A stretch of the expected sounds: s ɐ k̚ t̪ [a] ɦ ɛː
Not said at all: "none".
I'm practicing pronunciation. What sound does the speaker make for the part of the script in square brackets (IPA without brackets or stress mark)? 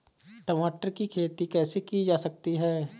i